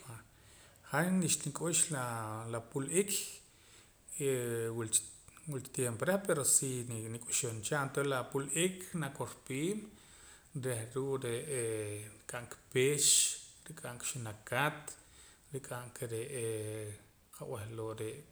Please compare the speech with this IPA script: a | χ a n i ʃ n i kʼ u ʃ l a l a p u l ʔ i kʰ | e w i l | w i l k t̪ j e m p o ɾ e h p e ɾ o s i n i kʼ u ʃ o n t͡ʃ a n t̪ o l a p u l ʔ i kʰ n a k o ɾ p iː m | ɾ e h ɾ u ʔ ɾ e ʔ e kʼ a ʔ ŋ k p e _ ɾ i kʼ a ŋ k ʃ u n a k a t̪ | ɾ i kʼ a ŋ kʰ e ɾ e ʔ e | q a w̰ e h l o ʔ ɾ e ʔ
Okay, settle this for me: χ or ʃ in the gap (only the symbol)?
ʃ